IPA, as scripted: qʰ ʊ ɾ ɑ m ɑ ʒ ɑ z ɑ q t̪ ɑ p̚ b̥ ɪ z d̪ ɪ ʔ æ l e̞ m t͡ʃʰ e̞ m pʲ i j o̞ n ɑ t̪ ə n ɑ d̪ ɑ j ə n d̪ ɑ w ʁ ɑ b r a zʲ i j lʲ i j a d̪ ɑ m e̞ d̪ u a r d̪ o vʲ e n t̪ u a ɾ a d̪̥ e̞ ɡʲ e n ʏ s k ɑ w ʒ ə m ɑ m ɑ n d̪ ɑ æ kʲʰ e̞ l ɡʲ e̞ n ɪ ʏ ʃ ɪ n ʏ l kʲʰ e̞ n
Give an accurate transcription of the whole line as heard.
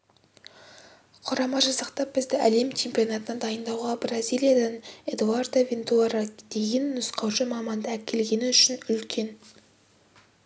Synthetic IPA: qʰ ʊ ɾ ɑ m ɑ ʒ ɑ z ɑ q t̪ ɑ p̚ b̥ ɪ z d̪ ɪ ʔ æ l e̞ m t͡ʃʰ e̞ m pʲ i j o̞ n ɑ t̪ ə n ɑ d̪ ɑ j ə n d̪ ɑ w ʁ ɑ b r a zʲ i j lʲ i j a d̪ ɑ n e̞ d̪ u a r d̪ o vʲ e n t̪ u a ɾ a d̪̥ e̞ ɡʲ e nː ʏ s q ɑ w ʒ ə m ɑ m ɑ n d̪ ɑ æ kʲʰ e̞ l ɡʲ e̞ n ɪ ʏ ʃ ɪ n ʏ l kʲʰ e̞ n